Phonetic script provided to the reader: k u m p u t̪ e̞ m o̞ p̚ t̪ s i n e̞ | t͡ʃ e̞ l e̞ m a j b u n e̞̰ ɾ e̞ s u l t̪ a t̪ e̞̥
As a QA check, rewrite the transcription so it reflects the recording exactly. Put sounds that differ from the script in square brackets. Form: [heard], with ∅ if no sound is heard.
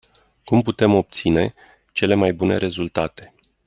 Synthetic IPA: k u m p u t̪ e̞ m o̞ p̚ t̪ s i n e̞ | t͡ʃ e̞ l e̞ m a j b u n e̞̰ ɾ e̞ [z] u l t̪ a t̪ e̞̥